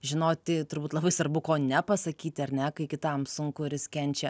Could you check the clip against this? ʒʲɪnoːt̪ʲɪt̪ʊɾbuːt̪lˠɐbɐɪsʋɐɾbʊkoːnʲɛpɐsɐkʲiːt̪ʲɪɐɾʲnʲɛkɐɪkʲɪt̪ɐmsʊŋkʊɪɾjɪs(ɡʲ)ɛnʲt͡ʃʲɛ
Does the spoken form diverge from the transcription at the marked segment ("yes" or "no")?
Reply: yes